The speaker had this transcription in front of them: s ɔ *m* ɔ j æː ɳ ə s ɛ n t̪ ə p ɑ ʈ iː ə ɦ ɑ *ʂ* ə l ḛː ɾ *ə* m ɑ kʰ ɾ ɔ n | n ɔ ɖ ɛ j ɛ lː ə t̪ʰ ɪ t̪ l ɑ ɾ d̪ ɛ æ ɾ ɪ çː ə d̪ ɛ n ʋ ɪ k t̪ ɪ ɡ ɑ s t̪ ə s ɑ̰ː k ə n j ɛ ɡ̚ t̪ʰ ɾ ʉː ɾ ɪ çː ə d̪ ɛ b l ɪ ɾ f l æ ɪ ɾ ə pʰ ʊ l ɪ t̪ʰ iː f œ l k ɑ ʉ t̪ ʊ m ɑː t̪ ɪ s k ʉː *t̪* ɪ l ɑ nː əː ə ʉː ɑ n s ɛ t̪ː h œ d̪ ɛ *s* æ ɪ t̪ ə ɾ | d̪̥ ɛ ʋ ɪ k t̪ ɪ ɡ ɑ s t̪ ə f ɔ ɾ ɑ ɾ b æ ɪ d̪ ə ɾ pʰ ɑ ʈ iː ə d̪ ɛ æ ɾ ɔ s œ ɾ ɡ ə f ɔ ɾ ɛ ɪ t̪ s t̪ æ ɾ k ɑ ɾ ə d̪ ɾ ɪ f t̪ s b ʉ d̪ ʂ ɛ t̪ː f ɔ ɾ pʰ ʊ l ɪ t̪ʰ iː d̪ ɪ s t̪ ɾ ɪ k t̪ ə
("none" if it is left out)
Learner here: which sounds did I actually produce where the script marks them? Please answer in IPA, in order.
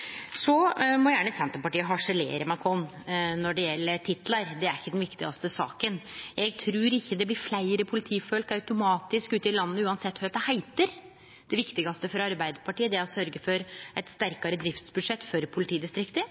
m, ʂ, ə, t̪, h

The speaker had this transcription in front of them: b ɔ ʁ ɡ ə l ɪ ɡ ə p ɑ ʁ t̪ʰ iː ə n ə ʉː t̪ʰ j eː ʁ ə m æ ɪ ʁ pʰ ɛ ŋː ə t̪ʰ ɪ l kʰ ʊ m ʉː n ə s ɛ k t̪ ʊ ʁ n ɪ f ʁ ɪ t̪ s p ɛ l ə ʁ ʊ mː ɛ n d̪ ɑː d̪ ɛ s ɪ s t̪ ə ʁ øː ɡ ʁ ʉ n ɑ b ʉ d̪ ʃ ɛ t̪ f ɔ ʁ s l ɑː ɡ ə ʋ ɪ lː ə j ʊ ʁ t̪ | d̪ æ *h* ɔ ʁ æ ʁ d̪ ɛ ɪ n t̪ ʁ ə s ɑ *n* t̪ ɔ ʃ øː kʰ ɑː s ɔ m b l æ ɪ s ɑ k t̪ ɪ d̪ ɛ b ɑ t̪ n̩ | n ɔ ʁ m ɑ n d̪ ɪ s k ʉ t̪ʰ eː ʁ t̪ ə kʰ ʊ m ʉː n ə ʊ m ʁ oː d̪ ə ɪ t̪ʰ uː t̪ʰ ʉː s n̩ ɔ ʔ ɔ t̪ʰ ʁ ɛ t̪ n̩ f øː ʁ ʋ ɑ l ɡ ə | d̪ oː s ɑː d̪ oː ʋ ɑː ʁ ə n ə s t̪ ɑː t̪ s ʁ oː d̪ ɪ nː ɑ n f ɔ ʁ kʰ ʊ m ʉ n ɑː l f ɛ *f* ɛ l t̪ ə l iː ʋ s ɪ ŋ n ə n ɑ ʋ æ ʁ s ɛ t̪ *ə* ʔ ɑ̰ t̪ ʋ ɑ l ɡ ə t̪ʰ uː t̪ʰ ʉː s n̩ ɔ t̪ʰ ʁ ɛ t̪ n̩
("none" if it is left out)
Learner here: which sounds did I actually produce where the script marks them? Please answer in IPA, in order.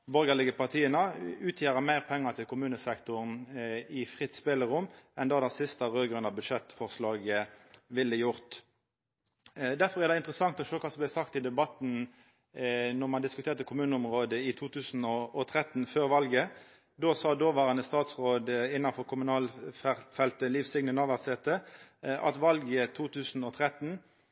f, ŋ, f, ə

